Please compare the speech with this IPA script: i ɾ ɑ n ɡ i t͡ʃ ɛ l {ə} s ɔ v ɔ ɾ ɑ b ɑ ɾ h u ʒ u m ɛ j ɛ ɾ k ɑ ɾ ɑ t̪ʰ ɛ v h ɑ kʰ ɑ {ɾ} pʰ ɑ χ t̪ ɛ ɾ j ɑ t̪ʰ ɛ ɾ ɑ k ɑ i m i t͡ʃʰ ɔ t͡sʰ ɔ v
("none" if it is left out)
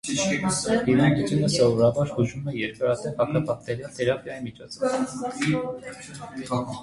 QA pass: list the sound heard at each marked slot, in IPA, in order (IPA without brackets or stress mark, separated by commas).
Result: ə, none